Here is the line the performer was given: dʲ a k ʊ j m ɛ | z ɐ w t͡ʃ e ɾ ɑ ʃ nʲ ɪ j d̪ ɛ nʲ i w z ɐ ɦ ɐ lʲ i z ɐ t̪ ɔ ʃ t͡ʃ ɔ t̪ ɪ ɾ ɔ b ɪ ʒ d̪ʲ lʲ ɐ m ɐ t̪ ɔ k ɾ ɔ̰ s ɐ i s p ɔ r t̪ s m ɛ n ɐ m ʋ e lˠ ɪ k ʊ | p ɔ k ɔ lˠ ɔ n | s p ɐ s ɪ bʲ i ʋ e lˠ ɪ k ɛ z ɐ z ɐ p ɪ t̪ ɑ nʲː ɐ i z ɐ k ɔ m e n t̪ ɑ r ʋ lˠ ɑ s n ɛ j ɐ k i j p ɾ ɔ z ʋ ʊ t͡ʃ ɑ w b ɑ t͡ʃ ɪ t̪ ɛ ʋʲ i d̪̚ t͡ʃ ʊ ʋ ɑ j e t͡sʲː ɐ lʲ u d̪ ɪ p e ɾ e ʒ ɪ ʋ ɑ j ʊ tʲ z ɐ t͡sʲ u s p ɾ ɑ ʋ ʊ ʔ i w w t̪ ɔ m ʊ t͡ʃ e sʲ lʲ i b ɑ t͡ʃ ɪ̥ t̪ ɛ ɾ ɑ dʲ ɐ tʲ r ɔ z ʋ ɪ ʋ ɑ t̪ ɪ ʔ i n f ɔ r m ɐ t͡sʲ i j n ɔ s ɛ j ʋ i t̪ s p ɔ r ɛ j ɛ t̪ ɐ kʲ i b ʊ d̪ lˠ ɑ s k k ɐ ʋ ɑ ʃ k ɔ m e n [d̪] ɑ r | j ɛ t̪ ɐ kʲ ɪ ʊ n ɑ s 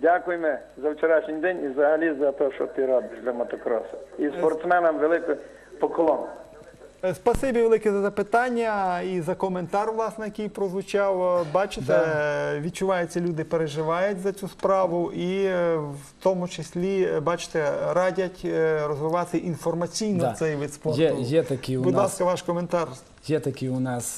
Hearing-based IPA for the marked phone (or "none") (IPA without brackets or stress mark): t̪